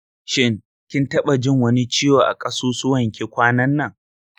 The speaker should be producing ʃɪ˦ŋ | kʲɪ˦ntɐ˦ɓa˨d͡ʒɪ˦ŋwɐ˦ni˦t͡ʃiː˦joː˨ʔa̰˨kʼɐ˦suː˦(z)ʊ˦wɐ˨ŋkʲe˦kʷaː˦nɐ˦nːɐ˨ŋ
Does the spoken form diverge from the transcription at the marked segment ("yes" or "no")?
yes